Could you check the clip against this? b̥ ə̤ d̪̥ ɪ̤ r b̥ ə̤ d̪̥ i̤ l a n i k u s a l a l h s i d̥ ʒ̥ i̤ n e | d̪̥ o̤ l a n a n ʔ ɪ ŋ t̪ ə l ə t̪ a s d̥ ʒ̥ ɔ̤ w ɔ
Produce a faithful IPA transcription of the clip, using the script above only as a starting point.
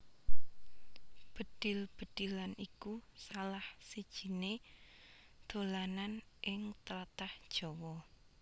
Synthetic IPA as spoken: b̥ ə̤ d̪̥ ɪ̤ l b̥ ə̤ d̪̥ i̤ l a n i k u s a l a h s i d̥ ʒ̥ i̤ n e | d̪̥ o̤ l a n a n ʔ ɪ ŋ t̪ ə l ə t̪ a h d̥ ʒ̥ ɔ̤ w ɔ